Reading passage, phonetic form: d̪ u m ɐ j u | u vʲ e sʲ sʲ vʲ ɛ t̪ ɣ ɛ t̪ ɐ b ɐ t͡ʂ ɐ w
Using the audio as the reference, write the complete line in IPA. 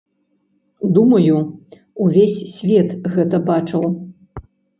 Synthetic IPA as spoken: d̪ u m ɐ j u | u vʲ e sʲ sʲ vʲ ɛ t̪ ɣ ɛ t̪ ɐ b a t͡ʂ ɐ w